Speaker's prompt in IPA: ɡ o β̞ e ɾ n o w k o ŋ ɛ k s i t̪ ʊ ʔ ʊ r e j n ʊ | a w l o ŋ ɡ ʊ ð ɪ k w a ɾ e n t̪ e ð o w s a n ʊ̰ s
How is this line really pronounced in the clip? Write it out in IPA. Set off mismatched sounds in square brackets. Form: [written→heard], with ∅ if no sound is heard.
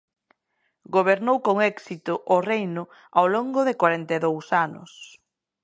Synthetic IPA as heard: ɡ o β̞ e ɾ n o w k o ŋ ɛ k s i t̪ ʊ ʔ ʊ r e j n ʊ | a w l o ŋ ɡ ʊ ð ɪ k w a ɾ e n t̪ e ð o w s a n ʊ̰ s